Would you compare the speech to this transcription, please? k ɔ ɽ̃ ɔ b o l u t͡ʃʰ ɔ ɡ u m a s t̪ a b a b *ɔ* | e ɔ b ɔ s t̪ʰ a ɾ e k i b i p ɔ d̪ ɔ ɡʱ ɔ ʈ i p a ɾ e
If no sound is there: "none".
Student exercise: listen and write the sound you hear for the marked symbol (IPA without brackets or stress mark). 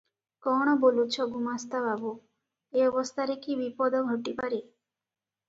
u